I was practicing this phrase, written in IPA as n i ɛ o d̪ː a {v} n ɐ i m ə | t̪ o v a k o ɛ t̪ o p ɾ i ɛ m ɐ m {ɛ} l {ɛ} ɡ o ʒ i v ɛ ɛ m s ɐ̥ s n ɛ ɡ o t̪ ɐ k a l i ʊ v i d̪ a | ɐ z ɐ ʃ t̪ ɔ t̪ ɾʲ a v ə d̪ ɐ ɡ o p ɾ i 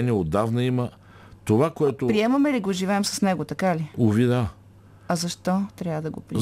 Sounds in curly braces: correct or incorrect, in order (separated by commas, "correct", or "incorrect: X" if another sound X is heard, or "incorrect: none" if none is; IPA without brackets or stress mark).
correct, correct, incorrect: i